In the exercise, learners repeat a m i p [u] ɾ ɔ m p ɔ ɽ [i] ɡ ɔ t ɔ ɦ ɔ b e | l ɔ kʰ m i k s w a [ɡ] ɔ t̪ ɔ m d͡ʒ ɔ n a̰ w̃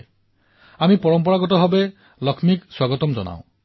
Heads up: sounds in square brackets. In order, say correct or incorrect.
incorrect: ɔ, incorrect: a, correct

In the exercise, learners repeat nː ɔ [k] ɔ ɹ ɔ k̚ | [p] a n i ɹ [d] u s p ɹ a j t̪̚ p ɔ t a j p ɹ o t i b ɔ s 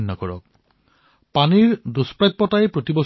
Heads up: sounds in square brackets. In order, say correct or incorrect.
correct, correct, correct

